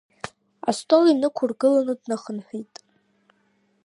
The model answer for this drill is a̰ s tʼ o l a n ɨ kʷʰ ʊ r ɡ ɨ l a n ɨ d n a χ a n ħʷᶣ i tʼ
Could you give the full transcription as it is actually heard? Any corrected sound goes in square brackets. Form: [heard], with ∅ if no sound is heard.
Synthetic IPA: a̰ s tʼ o l [i] n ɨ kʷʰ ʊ r ɡ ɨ l a n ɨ d n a χ [ə] n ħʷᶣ i tʼ